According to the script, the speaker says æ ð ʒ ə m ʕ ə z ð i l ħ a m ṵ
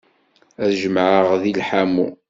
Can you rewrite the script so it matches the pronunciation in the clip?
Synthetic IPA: æ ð ʒ ə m ʕ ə ʁ ð i l ħ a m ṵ